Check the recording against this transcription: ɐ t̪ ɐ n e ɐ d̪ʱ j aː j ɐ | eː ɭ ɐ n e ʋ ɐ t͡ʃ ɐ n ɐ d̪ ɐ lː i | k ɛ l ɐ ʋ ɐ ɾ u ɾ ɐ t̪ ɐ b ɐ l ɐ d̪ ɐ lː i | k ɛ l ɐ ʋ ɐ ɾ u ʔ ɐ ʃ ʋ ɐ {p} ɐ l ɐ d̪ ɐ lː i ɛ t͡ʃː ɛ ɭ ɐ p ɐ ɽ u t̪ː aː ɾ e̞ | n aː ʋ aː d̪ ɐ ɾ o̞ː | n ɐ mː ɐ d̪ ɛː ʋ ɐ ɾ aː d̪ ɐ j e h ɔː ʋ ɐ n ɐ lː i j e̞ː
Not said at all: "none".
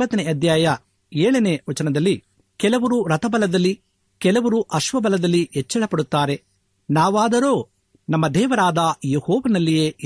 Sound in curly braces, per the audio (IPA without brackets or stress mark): b